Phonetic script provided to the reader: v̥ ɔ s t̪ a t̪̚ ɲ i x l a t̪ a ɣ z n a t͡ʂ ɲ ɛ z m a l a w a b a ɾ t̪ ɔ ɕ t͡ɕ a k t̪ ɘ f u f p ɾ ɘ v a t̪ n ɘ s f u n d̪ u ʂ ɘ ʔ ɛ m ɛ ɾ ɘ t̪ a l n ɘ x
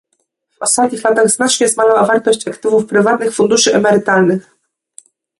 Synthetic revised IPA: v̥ ɔ s t̪ a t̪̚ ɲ i x l a t̪ a ɣ z n a t͡ʂ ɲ ɛ z m a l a w a v a ɾ t̪ ɔ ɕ t͡ɕ a k t̪ ɘ v u f p ɾ ɘ v a t̪ n ɘ x f u n d̪ u ʂ ɘ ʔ ɛ m ɛ ɾ ɘ t̪ a l n ɘ x